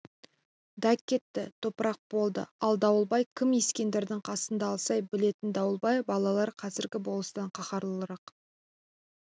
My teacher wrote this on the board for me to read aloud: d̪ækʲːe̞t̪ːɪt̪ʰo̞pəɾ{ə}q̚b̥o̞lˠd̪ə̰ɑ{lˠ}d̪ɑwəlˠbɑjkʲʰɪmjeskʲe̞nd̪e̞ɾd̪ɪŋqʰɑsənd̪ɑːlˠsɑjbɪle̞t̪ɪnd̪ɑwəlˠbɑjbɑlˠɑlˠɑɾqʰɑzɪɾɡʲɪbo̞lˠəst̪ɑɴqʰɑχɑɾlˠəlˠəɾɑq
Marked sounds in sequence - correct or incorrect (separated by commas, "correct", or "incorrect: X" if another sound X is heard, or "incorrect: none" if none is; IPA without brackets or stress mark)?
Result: incorrect: ɑ, correct